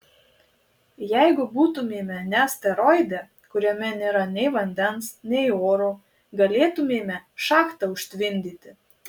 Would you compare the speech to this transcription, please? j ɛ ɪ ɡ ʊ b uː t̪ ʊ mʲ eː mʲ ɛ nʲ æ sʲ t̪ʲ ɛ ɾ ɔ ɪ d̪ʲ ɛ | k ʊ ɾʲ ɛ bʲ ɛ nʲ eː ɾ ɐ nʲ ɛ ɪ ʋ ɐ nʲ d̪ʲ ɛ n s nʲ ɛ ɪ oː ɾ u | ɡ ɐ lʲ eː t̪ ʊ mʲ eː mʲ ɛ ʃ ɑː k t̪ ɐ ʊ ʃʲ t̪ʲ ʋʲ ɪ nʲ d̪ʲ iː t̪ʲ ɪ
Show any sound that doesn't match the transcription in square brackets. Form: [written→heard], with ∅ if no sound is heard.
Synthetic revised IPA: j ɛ ɪ ɡ ʊ b uː t̪ ʊ mʲ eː mʲ ɛ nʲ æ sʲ t̪ʲ ɛ ɾ ɔ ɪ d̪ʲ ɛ | k ʊ ɾʲ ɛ [bʲ→mʲ] ɛ nʲ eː ɾ ɐ nʲ ɛ ɪ ʋ ɐ nʲ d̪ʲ ɛ n s nʲ ɛ ɪ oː ɾ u | ɡ ɐ lʲ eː t̪ ʊ mʲ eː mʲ ɛ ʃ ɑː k t̪ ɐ ʊ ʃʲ t̪ʲ ʋʲ ɪ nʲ d̪ʲ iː t̪ʲ ɪ